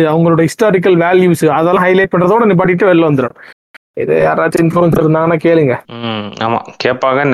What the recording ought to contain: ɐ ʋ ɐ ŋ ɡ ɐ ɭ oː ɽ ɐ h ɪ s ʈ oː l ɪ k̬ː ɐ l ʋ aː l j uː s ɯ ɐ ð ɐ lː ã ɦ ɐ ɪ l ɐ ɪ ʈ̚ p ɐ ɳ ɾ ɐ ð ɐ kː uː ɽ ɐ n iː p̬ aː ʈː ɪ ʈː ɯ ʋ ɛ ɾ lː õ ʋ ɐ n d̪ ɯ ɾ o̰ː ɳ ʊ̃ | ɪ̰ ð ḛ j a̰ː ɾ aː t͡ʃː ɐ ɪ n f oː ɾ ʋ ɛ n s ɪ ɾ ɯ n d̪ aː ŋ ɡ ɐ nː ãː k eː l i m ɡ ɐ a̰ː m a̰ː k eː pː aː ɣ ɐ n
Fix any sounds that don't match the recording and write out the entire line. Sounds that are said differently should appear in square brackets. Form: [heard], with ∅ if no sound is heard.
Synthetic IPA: ɐ ʋ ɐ ŋ ɡ ɐ ɭ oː ɽ ɐ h ɪ s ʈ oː [ɾ] ɪ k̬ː ɐ l ʋ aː l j uː s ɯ ɐ ð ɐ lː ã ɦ ɐ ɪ l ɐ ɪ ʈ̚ p ɐ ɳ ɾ ɐ ð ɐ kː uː ɽ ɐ n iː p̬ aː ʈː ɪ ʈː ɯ ʋ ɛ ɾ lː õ ʋ ɐ n d̪ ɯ ɾ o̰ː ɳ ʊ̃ | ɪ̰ ð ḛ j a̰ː ɾ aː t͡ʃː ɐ ɪ n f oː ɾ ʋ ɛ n s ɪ ɾ ɯ n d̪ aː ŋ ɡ ɐ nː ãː k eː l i [ŋ] ɡ ɐ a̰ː m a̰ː k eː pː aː ɣ ɐ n